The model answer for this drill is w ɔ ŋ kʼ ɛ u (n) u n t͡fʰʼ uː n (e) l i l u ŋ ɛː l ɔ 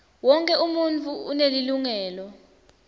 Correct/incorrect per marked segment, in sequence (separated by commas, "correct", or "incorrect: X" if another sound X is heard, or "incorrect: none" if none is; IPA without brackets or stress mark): incorrect: m, correct